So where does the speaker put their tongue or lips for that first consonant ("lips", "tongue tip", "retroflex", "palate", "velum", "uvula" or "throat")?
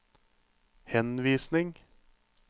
throat